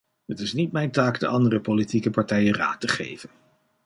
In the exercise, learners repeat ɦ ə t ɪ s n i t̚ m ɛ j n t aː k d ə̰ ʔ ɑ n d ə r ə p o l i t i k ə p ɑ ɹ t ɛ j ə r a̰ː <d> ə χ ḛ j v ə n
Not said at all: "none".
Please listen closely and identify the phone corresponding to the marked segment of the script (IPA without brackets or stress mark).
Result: t